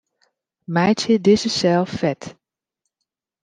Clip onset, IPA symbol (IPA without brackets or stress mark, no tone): m